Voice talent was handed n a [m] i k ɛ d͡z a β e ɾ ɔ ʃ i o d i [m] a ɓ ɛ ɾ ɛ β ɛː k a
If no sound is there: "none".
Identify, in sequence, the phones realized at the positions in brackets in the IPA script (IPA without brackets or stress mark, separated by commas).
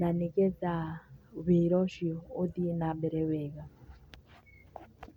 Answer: n, n